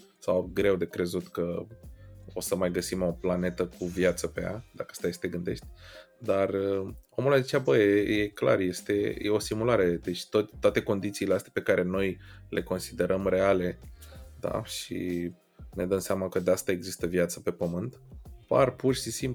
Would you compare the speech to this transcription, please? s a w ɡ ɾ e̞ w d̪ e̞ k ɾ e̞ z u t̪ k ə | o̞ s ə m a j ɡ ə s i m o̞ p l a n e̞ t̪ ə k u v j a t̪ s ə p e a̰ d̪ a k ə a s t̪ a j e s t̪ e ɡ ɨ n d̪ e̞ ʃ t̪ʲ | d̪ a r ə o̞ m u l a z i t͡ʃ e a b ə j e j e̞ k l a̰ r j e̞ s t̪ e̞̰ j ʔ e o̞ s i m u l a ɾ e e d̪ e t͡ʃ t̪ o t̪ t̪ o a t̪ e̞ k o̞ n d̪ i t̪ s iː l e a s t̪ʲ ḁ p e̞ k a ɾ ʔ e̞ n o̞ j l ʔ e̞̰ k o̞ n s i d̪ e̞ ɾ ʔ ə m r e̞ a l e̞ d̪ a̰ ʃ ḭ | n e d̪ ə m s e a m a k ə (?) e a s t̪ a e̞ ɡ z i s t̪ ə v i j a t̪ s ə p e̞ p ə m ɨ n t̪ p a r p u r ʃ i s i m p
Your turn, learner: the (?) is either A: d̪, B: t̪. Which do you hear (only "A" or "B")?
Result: A